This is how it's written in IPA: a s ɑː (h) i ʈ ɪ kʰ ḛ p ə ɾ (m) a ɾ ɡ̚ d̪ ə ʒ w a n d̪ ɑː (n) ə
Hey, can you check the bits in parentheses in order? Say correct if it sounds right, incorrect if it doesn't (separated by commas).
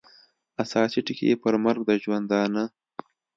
incorrect, correct, correct